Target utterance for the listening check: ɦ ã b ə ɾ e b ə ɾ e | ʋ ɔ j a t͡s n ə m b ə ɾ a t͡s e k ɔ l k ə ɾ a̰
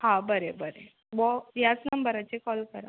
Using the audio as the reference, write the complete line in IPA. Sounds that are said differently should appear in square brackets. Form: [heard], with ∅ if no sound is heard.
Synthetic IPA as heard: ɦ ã b ə ɾ e b ə ɾ e | ʋ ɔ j a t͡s n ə m b ə ɾ a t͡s e k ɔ l k ə ɾ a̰

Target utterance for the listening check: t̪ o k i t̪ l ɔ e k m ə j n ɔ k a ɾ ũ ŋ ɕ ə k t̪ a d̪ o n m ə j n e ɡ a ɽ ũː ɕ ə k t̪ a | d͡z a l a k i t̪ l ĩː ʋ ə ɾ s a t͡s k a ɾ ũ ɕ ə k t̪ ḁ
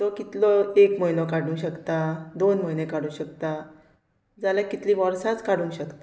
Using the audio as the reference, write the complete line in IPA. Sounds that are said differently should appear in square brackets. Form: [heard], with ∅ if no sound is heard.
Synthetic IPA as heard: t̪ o k i t̪ l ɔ e k m ə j n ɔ k a [ɽ] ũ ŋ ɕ ə k t̪ a d̪ o n m ə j n e [k] a ɽ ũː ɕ ə k t̪ a | d͡z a l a k i t̪ l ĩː ʋ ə ɾ s a t͡s k a [ɽ] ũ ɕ ə k t̪ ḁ

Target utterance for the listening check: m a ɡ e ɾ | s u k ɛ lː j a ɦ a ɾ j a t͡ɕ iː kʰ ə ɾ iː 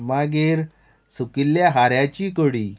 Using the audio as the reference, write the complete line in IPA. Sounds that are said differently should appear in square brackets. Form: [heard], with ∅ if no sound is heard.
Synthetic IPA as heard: m a ɡ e ɾ | s u k [i] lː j a ɦ a ɾ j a t͡ɕ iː [k] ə [ɽ] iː

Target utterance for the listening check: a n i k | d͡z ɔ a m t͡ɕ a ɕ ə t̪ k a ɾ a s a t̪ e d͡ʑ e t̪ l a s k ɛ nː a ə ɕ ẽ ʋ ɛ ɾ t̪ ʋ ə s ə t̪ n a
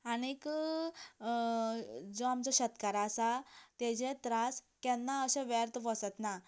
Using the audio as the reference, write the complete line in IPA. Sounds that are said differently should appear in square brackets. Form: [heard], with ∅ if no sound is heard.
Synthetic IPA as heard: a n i k | d͡z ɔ a m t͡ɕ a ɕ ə t̪ k a ɾ a s a t̪ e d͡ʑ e t̪ [ɾ] a s k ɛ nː a ə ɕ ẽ ʋ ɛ ɾ t̪ ʋ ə s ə t̪ n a

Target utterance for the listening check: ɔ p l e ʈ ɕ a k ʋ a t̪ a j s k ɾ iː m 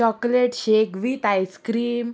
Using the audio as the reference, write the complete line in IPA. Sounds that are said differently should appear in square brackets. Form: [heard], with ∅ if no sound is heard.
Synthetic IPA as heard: ɔ [k] l e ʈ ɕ [e] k ʋ [i] t̪ a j s k ɾ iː m

